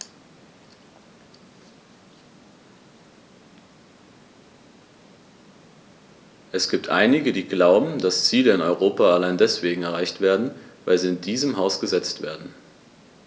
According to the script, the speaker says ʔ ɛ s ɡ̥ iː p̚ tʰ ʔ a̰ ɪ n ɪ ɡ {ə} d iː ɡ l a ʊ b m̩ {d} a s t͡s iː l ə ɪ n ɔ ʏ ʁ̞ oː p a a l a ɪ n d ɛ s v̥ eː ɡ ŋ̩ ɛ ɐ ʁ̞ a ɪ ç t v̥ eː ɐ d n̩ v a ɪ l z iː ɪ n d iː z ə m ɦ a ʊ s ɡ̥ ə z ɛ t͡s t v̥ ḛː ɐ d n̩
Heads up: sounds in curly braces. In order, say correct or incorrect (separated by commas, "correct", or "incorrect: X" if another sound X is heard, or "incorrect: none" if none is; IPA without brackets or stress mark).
correct, correct